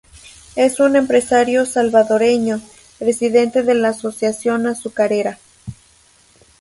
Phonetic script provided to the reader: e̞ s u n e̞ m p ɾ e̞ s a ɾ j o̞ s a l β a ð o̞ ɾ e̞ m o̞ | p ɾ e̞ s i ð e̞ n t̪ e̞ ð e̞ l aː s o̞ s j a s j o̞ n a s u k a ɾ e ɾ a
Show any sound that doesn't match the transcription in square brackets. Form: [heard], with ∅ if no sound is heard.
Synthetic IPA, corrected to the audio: e̞ s u n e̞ m p ɾ e̞ s a ɾ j o̞ s a l β a ð o̞ ɾ e̞ [ɲ] o̞ | p ɾ e̞ s i ð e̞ n t̪ e̞ ð e̞ l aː s o̞ s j a s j o̞ n a s u k a ɾ e ɾ a